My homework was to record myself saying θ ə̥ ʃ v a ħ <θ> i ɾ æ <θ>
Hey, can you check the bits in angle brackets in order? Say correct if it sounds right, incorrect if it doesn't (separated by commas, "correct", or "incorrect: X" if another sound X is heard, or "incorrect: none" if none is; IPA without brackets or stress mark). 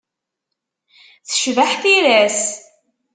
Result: correct, incorrect: s